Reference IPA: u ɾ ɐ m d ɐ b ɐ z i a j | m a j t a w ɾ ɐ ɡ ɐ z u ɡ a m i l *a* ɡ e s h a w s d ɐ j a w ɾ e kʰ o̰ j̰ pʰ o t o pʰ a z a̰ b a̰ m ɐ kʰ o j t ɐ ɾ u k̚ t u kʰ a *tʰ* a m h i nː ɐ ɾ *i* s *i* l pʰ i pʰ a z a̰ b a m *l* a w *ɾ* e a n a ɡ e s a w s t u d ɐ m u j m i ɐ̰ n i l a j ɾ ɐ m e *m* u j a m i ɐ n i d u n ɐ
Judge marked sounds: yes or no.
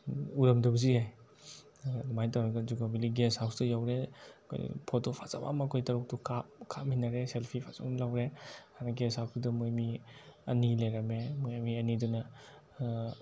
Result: no, no, no, no, yes, yes, yes

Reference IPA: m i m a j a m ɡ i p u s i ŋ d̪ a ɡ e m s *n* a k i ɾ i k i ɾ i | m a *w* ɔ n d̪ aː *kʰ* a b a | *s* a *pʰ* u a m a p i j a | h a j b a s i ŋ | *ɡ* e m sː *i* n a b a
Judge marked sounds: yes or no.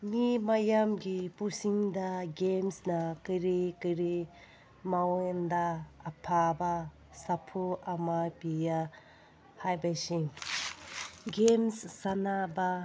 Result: yes, yes, no, yes, yes, yes, no

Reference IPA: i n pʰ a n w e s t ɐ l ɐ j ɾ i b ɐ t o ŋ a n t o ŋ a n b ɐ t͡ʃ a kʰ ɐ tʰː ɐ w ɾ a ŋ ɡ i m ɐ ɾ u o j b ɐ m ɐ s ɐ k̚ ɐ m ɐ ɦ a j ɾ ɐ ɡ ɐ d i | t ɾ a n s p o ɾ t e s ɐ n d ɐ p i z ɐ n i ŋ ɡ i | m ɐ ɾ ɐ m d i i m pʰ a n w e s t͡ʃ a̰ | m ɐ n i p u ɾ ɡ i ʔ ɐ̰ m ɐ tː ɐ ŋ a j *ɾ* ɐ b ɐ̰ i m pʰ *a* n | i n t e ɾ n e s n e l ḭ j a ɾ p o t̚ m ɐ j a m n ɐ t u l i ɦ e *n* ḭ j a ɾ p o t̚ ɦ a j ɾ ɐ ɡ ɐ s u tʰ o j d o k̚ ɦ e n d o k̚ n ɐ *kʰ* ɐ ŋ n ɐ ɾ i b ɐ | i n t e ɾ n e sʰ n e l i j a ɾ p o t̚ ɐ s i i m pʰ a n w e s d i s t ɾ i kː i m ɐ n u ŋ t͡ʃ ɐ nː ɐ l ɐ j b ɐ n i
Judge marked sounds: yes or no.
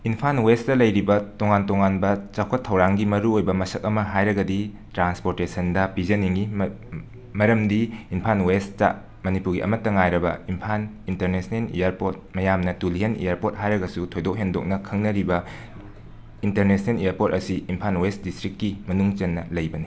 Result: yes, yes, yes, yes

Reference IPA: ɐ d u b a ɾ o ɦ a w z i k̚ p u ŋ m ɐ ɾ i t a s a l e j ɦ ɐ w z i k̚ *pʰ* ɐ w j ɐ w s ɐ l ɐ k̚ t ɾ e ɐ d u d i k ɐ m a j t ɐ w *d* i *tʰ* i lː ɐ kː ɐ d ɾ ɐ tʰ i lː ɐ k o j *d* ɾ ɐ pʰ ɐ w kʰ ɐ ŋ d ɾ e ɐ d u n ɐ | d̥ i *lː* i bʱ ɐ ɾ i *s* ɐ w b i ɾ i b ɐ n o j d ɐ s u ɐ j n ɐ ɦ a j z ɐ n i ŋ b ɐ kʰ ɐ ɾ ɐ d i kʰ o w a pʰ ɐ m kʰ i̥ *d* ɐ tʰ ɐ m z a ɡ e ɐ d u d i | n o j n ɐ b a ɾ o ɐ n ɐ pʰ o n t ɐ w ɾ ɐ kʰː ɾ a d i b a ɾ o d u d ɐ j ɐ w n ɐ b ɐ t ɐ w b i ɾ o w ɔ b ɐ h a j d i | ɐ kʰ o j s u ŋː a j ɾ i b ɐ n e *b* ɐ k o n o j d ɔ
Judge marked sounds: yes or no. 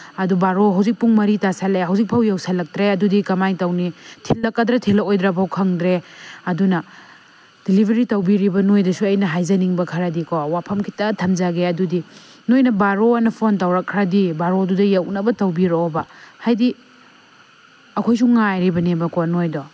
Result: yes, no, yes, yes, no, no, no, yes

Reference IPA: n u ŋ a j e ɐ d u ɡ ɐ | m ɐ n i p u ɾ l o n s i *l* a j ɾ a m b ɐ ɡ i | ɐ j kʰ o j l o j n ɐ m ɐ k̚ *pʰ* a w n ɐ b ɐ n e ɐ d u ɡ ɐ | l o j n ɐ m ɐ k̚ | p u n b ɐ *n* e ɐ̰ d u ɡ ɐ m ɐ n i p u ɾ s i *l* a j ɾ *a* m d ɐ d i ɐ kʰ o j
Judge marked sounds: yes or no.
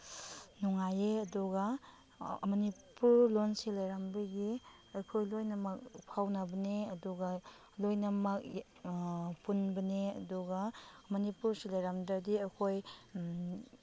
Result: yes, yes, yes, yes, yes

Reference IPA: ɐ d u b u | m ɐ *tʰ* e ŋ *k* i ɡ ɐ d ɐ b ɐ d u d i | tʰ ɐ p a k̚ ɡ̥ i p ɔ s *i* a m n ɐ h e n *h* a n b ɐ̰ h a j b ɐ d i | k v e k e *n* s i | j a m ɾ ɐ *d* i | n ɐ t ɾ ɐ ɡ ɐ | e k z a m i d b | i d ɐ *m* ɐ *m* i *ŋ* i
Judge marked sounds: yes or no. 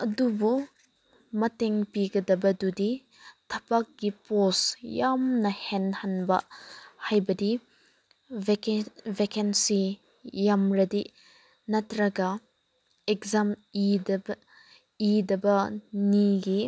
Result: no, no, no, yes, yes, yes, no, no, no

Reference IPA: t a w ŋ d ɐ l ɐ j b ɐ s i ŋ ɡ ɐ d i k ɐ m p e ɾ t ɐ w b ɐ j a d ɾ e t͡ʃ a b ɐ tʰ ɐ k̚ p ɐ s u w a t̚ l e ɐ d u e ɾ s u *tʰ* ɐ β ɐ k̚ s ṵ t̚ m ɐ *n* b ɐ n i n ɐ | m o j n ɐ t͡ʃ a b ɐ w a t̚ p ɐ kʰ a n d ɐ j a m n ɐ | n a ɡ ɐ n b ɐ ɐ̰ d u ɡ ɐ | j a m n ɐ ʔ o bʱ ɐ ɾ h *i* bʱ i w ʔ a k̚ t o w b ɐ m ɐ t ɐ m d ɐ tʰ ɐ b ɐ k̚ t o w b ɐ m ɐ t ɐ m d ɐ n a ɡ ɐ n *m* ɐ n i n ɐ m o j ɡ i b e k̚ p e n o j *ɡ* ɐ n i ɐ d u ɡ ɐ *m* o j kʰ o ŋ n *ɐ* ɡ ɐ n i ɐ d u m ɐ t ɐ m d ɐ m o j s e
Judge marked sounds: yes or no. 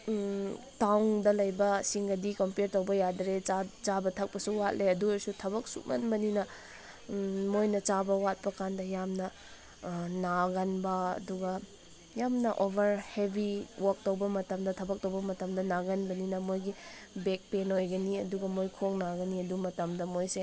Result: yes, yes, no, no, yes, yes, no

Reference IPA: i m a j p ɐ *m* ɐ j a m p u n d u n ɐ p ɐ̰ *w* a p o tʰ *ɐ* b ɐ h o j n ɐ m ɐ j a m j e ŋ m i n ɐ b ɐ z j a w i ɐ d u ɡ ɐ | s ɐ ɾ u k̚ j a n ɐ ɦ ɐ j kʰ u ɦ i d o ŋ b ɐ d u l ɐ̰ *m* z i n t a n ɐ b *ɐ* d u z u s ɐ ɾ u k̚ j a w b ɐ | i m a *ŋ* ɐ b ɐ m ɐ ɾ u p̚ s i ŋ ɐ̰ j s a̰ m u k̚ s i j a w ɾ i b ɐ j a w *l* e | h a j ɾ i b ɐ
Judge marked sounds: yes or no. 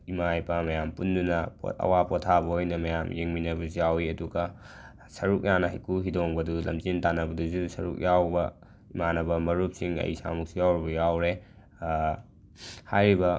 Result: yes, yes, no, yes, yes, no, no

